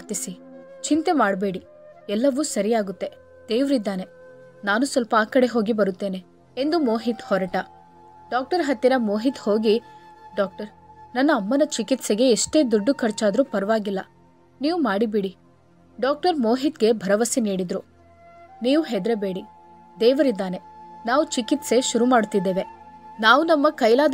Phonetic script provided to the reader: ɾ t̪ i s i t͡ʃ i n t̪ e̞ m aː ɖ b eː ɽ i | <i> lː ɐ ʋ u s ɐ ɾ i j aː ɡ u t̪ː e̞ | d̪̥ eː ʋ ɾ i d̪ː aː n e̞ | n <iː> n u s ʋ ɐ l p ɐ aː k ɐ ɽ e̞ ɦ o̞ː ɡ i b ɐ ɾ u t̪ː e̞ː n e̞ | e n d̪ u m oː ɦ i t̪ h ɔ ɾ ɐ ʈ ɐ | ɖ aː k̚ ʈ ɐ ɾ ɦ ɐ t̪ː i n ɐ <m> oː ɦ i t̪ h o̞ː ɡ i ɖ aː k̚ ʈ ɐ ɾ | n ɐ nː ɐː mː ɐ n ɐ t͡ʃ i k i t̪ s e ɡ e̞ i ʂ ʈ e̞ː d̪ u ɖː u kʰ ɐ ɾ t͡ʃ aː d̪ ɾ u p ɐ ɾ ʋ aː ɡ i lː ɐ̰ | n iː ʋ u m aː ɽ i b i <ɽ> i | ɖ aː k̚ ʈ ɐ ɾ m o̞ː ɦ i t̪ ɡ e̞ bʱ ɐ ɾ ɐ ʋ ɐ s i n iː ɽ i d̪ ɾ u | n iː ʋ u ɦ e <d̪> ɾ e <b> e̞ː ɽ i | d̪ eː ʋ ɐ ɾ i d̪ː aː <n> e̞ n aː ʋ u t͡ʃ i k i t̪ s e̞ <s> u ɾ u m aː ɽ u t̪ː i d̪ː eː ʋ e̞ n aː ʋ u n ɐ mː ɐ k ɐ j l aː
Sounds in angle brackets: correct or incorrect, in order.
incorrect, incorrect, correct, correct, correct, correct, correct, incorrect

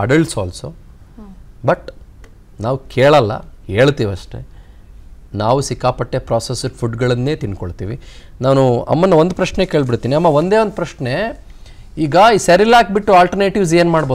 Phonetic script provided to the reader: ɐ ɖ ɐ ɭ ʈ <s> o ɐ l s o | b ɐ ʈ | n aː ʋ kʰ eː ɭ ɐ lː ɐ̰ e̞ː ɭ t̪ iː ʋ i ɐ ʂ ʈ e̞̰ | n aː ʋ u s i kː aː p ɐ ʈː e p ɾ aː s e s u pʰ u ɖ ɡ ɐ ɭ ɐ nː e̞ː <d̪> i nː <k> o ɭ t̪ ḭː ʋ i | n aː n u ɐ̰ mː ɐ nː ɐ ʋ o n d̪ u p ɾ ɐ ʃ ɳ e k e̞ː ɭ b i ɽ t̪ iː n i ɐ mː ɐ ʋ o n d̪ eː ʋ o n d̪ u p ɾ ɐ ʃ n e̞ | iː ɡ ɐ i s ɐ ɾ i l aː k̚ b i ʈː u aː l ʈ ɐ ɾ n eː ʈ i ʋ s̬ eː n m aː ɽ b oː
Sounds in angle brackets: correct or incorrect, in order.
correct, incorrect, correct

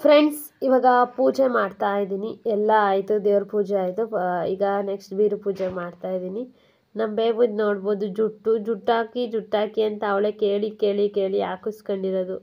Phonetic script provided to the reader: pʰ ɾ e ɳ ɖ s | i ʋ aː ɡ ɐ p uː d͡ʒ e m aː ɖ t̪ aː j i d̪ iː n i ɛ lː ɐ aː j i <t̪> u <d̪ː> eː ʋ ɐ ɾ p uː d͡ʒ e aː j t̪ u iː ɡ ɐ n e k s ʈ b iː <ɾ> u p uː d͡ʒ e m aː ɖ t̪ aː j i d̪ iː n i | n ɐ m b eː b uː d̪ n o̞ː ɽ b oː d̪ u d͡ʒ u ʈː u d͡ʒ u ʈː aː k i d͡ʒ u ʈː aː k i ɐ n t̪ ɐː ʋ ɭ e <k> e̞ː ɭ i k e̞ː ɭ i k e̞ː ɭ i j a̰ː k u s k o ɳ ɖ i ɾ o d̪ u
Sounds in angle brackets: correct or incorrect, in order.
correct, incorrect, correct, correct

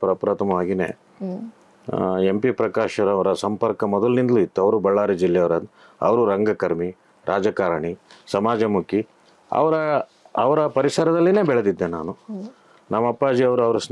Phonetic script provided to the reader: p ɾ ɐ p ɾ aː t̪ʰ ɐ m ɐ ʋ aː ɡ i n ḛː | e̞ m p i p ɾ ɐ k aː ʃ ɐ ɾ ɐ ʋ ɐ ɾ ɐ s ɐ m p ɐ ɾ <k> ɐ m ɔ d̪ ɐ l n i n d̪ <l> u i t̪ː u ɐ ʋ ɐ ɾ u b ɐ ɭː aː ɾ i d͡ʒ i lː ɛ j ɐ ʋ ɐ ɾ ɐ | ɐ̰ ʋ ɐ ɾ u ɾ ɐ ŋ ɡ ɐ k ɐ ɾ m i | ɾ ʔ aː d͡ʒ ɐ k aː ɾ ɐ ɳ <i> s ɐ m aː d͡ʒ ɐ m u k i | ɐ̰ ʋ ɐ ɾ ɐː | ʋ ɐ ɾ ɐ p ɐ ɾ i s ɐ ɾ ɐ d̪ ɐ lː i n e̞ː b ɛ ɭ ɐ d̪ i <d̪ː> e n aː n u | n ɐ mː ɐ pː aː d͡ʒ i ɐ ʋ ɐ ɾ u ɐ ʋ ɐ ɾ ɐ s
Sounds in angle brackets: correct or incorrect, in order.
correct, correct, correct, correct

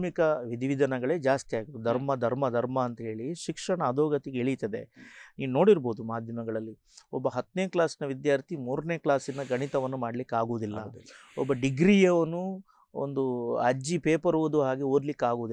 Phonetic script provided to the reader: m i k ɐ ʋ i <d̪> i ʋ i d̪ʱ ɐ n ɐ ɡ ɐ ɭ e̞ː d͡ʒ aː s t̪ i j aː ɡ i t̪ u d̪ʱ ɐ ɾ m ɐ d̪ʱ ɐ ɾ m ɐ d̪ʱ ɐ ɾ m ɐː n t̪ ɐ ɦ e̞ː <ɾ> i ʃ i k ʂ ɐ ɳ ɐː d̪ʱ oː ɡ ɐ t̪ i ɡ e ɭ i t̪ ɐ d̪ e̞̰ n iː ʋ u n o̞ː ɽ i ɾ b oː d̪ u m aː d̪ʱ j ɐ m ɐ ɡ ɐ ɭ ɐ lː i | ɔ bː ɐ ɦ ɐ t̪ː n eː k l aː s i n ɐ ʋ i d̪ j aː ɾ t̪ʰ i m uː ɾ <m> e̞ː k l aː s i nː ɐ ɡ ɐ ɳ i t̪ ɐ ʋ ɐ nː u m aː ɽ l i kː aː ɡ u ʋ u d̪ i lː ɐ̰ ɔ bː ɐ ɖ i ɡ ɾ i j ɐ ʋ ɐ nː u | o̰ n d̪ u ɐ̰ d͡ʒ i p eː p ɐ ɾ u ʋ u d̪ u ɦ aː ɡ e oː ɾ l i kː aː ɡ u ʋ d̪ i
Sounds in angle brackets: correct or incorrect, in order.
correct, incorrect, incorrect

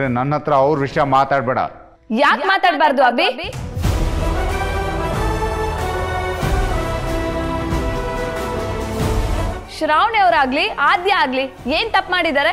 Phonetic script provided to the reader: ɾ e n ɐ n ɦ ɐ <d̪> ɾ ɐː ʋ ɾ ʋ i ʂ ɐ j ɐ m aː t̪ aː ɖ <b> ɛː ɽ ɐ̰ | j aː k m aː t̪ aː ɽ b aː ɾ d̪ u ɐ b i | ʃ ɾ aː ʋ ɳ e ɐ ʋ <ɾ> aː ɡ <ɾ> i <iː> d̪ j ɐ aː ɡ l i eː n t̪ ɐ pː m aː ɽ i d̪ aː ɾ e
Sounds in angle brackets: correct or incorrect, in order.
incorrect, correct, correct, incorrect, incorrect

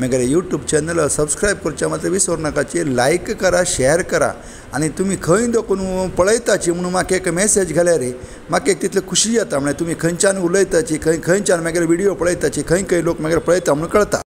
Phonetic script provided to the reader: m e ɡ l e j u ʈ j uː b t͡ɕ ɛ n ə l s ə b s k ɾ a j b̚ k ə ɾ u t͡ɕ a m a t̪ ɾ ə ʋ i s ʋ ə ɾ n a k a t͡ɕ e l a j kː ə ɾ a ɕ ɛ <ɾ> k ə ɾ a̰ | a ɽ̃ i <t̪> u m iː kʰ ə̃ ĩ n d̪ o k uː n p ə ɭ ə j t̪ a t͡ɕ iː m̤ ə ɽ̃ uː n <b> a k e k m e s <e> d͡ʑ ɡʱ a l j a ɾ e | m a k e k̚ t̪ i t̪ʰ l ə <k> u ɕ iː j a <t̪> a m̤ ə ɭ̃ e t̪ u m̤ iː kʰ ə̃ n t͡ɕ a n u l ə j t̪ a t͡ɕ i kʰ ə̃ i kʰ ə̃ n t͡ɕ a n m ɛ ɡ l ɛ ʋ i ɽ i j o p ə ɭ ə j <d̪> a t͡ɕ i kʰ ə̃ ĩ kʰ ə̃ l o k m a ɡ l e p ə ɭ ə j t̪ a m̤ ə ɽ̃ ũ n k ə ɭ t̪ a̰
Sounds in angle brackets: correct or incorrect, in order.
correct, correct, incorrect, correct, incorrect, correct, incorrect

